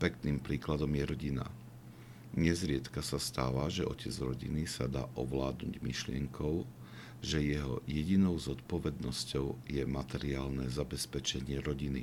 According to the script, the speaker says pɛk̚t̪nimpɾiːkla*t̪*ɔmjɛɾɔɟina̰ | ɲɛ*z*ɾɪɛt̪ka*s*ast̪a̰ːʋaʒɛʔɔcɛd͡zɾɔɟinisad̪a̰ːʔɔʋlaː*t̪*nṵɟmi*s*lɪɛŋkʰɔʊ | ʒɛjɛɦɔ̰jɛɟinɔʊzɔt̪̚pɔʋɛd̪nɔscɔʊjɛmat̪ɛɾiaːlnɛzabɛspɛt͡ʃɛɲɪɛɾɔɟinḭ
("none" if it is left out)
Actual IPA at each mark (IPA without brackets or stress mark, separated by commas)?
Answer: d̪, z, s, d̪, ʃ